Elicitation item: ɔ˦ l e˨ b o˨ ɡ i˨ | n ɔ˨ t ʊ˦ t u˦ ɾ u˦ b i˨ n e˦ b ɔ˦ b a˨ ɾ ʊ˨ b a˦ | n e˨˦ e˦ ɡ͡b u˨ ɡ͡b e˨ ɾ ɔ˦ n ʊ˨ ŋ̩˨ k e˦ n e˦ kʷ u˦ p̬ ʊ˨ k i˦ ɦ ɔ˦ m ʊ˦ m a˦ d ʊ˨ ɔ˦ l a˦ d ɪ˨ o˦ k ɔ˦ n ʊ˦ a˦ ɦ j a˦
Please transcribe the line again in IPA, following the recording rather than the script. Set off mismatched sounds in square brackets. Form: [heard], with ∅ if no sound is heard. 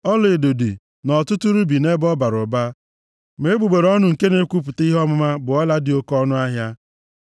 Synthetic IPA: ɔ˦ l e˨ [d] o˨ [d] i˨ | n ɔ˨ t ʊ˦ t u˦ ɾ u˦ b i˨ n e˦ b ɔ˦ b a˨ ɾ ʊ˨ b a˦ | [m] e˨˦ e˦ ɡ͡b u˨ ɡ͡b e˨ ɾ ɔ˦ n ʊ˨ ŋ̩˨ k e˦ n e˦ kʷ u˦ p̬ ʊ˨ [t] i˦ ɦ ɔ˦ m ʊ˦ m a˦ [b] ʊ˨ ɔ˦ l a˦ d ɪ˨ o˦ k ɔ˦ n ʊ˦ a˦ ɦ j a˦